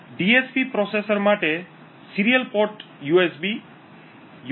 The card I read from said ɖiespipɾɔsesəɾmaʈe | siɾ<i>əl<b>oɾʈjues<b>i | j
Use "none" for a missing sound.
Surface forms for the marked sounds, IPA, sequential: i, p, b

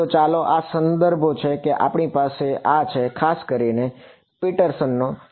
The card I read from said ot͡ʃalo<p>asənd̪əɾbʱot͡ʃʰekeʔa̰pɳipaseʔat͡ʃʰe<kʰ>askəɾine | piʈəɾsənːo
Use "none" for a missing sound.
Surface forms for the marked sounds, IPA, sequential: ʔ, kʰ

